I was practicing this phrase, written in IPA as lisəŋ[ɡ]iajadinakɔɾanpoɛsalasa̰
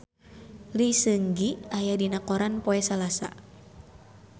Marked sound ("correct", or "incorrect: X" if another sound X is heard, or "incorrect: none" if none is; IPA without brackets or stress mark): correct